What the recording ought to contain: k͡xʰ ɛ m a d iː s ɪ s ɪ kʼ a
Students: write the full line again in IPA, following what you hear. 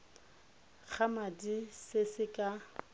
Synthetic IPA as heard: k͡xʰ a m a d i s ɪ s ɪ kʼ a

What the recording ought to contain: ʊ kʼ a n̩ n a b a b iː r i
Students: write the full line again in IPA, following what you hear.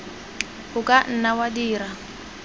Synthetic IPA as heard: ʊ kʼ a n̩ n a w a d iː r a

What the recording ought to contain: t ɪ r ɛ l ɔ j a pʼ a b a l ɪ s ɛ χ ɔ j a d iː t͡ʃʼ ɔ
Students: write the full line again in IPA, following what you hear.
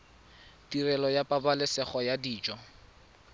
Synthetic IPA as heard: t i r ɛ l ɔ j a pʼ a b a l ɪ s ɛ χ ɔ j a d iː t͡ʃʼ ɔ

